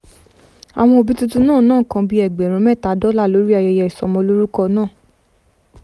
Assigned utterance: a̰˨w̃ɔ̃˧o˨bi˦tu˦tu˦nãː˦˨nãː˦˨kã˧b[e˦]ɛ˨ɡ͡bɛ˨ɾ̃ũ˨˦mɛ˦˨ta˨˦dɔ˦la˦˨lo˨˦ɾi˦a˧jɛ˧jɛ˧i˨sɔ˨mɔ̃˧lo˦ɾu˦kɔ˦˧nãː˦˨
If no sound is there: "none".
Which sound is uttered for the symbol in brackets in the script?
i˦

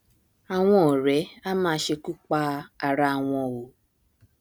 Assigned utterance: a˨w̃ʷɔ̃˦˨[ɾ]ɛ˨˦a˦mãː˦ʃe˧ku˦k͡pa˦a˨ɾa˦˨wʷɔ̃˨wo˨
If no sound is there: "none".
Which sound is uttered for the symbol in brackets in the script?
ɾ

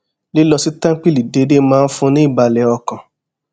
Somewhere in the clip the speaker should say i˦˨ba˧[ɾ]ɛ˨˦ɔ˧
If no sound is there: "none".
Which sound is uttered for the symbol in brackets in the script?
l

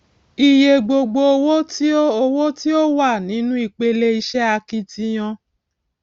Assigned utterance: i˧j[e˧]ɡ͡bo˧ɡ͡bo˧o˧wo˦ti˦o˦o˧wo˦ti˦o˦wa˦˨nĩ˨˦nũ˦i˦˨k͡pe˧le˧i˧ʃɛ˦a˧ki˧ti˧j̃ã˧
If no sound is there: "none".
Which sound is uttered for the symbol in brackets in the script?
e˧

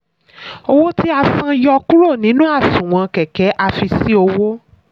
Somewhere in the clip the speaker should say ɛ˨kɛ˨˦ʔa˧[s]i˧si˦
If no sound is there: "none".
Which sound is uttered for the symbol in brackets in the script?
f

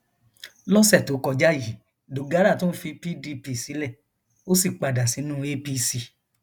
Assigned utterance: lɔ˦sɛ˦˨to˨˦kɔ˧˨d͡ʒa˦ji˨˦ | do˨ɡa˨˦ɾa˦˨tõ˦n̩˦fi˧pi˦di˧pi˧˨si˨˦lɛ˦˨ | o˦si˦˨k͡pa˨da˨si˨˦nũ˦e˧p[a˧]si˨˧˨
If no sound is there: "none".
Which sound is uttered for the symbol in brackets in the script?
i˧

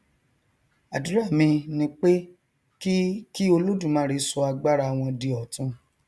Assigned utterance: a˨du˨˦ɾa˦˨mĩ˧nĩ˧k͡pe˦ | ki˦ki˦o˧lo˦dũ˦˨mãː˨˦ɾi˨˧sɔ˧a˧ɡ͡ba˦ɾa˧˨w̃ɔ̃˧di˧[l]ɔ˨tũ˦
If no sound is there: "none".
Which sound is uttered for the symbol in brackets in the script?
none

